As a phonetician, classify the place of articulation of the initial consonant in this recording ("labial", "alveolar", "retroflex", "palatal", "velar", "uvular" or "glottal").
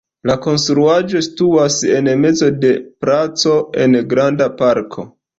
alveolar